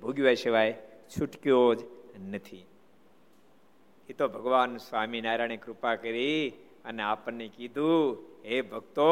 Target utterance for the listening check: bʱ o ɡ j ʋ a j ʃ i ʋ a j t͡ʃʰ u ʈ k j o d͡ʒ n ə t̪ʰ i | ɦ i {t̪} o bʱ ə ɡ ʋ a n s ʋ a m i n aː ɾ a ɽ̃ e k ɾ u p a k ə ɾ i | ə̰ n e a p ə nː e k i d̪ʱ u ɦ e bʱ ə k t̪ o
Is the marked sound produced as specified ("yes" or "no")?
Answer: yes